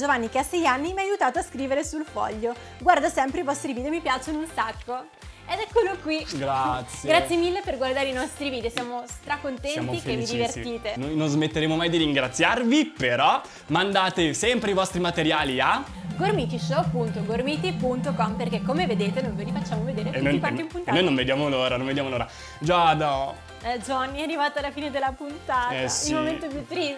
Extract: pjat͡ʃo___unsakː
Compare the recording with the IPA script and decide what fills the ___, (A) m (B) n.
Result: B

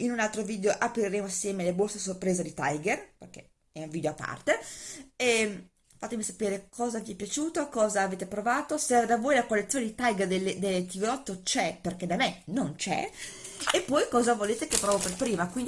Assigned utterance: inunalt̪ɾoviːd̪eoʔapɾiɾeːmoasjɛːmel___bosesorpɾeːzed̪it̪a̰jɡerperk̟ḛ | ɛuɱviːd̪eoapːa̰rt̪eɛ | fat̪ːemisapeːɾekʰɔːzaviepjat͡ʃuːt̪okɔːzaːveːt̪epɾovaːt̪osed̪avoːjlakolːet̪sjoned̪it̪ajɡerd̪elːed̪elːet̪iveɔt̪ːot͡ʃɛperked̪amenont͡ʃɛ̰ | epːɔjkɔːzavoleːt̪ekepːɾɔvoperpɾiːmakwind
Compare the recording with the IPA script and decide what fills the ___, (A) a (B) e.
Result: B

